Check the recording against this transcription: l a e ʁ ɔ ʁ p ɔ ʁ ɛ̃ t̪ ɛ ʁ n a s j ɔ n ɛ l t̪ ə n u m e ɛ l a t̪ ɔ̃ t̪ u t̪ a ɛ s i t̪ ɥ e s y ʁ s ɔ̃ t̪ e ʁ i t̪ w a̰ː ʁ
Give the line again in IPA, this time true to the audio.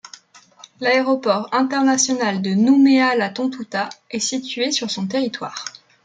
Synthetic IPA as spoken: l a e ʁ ɔ p ɔ ʁ ɛ̃ t̪ ɛ ʁ n a s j ɔ n a l d̪ ə n u m e a l a t̪ ɔ̃ t̪ u t̪ a ɛ s i t̪ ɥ e s y ʁ s ɔ̃ t̪ e ʁ i t̪ w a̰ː ʁ